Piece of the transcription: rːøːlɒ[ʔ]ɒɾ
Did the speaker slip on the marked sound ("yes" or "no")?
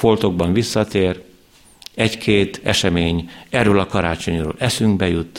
yes